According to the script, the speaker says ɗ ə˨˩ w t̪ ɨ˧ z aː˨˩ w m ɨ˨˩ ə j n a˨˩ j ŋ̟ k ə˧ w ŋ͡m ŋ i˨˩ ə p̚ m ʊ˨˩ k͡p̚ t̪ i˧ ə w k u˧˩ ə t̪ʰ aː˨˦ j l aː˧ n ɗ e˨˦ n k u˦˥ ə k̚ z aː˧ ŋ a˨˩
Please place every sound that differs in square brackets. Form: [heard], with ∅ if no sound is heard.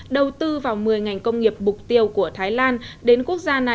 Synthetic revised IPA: ɗ ə˨˩ w t̪ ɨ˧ [v] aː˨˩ w m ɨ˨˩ ə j [ŋ] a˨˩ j ŋ̟ k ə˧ w ŋ͡m ŋ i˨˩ ə p̚ m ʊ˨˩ k͡p̚ t̪ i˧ ə w k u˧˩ ə t̪ʰ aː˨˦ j l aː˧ n ɗ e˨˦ n k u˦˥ ə k̚ z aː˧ [n] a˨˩